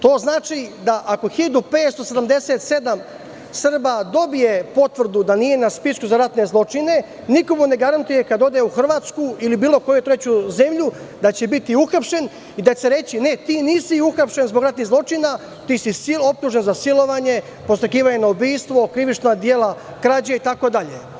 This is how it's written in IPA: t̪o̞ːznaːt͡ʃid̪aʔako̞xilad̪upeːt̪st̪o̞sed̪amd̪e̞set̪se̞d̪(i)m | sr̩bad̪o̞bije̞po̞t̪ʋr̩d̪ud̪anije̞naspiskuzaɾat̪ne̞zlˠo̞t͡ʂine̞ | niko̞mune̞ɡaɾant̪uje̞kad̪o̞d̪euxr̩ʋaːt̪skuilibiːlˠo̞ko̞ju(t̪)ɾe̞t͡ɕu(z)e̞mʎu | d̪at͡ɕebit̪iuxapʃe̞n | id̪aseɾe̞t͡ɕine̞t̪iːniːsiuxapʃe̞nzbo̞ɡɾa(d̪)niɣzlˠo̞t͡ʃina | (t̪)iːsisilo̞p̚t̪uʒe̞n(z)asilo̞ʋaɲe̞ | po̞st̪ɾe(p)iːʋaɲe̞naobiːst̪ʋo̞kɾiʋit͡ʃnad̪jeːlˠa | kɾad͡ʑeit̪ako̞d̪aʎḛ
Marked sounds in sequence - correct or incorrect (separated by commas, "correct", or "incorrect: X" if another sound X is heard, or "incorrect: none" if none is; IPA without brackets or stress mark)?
incorrect: a, correct, correct, incorrect: t̪, correct, correct, incorrect: k